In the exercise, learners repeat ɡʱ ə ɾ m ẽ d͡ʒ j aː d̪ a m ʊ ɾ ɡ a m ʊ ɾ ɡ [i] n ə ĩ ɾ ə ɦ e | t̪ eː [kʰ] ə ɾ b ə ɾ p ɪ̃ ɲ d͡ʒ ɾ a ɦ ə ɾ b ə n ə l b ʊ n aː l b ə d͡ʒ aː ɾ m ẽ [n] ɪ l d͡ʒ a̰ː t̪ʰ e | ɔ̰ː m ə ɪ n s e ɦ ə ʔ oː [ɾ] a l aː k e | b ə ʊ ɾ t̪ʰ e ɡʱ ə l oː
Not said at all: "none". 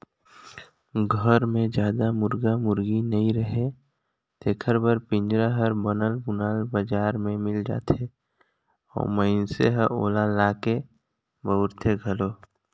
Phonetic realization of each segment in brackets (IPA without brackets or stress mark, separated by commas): i, kʰ, m, l